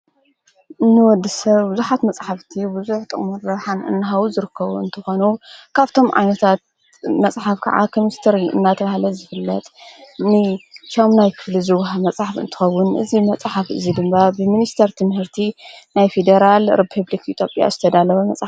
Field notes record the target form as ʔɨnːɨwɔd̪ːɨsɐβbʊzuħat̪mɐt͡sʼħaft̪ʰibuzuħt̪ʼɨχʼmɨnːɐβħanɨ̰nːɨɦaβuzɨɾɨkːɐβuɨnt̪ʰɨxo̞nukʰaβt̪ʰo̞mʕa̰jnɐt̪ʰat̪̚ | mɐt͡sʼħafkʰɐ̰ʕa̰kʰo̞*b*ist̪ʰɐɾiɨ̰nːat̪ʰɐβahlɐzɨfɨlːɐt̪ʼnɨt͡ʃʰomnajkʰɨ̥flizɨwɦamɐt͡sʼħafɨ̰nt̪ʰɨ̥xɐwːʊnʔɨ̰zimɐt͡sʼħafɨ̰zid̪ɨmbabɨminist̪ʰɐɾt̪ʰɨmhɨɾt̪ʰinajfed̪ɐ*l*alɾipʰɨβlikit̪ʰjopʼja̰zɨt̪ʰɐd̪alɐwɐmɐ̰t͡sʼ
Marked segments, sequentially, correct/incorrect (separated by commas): incorrect, incorrect